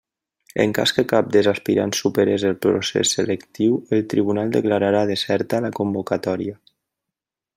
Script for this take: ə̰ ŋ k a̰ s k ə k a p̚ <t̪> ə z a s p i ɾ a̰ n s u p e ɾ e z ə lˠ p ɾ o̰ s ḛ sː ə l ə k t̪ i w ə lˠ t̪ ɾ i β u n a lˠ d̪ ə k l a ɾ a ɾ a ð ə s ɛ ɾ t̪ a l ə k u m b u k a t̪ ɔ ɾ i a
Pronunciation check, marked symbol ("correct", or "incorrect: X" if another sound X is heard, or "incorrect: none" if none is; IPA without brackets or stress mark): incorrect: d̪